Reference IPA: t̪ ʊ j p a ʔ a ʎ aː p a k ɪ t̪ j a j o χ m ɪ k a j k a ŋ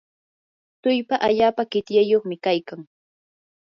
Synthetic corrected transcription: t̪ ʊ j p a ʔ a ʎ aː p a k ɪ t̪ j a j o χ m ɪ k a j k a ŋ